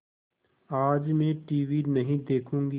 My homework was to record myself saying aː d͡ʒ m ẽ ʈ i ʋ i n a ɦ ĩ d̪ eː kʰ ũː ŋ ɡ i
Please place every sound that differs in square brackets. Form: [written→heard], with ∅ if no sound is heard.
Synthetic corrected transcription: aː d͡ʒ m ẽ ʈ [i→iː] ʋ i n [a→ɐ] ɦ ĩ d̪ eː kʰ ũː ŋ ɡ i